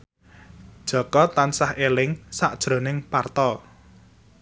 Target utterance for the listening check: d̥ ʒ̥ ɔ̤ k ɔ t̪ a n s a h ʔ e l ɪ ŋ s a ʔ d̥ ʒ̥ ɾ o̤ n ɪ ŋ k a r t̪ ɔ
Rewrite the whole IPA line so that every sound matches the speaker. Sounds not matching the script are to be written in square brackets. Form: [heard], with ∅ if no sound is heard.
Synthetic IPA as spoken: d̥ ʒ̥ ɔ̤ k ɔ t̪ a n s a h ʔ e l ɪ ŋ s a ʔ d̥ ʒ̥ ɾ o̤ n ɪ ŋ [p] a r t̪ ɔ